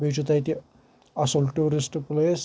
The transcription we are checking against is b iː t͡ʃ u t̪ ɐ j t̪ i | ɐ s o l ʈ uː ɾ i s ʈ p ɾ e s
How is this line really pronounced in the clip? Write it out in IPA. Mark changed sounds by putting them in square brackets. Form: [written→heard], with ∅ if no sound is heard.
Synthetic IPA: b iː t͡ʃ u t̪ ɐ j t̪ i | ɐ s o l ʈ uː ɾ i s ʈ p [ɾ→l] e s